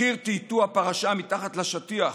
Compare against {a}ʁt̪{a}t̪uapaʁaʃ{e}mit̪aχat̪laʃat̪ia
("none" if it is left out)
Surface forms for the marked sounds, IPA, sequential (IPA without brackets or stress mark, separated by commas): i, i, a